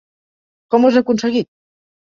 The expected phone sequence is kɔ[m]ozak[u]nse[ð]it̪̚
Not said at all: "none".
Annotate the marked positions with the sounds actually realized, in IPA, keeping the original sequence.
m, u, ɣ

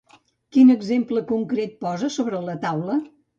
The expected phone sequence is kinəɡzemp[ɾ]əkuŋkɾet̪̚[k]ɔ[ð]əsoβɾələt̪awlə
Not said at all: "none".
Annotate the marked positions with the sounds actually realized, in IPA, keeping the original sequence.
l, p, z

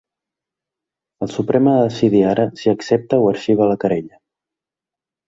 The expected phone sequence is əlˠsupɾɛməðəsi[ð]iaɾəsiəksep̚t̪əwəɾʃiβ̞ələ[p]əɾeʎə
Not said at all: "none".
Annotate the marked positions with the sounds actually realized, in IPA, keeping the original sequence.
ð, k

